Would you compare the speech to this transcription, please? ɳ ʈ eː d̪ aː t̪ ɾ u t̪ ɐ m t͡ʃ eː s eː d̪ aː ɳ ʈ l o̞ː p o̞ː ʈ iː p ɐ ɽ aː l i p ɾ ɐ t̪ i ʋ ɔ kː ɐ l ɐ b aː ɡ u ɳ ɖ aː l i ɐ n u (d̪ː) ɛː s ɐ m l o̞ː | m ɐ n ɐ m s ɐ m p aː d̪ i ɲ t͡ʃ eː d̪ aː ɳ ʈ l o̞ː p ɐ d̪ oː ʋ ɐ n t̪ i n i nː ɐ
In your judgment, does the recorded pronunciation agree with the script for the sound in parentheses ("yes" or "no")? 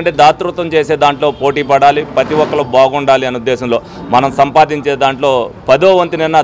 yes